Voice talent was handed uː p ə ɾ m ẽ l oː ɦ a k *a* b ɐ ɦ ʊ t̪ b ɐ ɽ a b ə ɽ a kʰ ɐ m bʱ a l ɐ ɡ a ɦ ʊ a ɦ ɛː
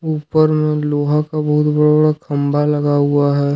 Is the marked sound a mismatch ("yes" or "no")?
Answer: no